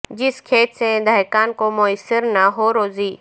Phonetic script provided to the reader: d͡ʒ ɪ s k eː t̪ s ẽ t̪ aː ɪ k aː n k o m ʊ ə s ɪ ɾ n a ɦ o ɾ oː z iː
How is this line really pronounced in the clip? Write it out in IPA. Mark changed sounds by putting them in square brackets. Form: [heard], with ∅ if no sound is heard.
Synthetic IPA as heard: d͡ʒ ɪ s [kʰ] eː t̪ s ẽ [d̪] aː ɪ k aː n k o m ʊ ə s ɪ ɾ n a ɦ o ɾ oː z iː

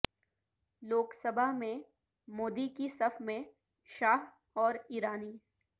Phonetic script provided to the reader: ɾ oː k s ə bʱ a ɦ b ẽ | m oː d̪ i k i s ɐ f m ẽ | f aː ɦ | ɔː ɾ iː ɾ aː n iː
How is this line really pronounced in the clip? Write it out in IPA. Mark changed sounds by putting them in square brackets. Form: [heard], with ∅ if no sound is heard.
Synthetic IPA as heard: [l] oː k s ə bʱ a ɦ [m] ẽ | m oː d̪ i k i s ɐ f m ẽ | [ʃ] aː ɦ | ɔː ɾ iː ɾ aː n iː

